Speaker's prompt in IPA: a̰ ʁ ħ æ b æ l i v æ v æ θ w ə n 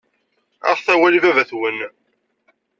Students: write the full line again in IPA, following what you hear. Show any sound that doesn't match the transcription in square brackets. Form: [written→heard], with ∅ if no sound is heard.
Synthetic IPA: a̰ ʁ [ħ→θ] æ [b→w] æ l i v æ v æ θ w ə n